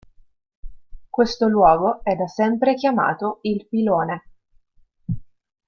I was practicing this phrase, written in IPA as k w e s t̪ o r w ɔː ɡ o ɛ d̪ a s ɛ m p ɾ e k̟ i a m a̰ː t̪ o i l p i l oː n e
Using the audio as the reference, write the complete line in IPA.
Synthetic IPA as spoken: k w e s t̪ o l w ɔː ɡ o ɛ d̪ a s ɛ m p ɾ e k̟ j a m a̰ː t̪ o i l p i l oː n e